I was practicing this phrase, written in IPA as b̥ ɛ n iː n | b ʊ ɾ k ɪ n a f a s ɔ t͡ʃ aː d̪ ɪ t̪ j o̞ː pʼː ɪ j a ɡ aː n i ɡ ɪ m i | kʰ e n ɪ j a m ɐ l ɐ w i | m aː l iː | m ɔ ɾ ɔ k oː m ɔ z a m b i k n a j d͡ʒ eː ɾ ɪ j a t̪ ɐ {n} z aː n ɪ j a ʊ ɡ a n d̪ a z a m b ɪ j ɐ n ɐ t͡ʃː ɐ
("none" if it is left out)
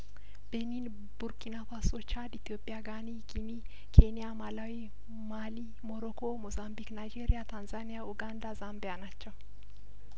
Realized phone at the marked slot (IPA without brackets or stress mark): n